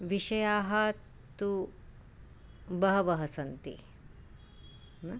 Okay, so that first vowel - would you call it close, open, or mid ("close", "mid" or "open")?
close